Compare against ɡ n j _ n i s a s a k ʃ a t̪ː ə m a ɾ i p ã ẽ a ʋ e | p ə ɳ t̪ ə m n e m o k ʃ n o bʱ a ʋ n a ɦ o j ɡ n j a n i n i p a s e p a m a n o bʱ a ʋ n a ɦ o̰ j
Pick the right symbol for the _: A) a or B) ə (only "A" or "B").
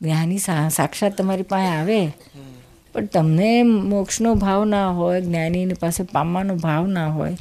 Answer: A